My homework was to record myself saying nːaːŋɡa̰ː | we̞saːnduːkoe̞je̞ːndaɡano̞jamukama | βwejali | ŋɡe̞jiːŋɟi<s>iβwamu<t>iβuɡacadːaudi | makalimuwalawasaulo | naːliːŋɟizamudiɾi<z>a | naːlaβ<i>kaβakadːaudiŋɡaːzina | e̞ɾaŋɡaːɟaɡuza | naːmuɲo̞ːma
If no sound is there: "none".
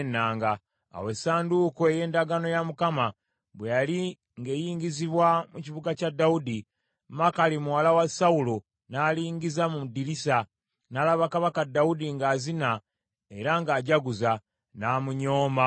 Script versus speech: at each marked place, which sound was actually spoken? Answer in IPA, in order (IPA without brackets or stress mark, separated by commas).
z, c, s, a